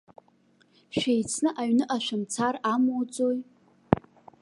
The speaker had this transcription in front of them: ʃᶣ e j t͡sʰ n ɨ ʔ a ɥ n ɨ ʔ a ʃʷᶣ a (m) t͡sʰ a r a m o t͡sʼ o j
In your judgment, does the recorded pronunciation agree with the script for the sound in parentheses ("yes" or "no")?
yes